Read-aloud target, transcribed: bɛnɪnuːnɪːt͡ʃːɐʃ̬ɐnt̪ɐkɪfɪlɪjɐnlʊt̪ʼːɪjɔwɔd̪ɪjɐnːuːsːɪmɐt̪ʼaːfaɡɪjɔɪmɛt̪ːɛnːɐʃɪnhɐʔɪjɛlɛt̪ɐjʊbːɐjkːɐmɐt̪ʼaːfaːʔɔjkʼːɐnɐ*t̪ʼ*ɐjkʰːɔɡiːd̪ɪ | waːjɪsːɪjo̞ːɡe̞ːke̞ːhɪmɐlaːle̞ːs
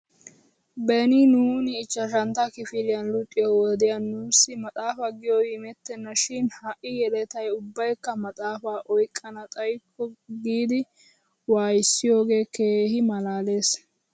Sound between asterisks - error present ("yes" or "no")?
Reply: no